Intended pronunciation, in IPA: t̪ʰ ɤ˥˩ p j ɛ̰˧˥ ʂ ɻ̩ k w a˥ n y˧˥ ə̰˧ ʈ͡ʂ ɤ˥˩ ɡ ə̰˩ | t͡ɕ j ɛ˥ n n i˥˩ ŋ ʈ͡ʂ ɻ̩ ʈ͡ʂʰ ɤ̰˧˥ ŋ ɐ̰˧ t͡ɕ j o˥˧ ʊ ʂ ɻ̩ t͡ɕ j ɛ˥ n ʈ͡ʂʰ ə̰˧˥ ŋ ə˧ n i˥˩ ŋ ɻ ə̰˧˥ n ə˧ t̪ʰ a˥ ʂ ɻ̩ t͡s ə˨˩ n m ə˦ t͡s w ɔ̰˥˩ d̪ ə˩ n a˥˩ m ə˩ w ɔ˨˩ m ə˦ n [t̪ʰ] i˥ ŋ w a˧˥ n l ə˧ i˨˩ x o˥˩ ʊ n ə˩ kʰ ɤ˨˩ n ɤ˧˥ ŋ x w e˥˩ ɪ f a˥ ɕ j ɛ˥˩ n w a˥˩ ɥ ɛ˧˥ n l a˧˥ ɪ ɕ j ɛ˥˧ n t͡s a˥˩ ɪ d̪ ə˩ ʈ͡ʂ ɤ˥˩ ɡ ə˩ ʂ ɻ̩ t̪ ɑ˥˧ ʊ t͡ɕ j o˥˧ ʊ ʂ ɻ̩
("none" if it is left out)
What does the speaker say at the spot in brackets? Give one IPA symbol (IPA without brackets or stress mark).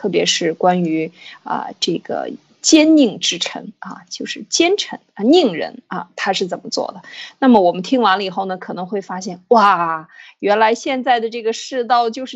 t̪ʰ